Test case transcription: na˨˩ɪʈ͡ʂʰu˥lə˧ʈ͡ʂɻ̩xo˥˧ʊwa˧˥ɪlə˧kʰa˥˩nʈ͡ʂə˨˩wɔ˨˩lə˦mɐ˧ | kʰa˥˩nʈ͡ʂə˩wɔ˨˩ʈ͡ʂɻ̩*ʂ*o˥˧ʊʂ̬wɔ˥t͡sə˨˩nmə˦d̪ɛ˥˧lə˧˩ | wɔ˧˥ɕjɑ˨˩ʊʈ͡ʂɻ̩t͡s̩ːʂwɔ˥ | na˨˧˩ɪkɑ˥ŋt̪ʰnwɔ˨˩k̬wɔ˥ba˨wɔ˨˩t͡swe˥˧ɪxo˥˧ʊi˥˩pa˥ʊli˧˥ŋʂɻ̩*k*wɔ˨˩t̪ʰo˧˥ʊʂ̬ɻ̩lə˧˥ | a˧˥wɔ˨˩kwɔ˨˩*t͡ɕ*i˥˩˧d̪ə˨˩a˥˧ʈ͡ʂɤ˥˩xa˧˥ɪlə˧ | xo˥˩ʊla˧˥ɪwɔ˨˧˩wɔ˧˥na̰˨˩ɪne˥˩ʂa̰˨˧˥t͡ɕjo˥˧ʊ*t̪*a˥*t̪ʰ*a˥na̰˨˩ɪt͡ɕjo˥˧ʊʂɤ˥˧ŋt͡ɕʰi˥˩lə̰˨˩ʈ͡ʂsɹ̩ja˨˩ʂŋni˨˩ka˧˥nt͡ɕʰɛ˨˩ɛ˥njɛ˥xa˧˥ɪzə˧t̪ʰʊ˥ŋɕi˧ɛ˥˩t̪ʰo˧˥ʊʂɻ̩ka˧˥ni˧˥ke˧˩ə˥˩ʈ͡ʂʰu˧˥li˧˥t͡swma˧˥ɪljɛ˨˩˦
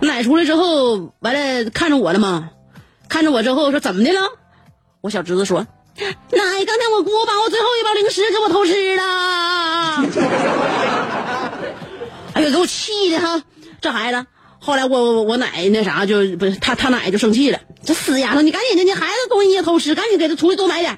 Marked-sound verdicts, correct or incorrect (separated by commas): incorrect, correct, incorrect, incorrect, correct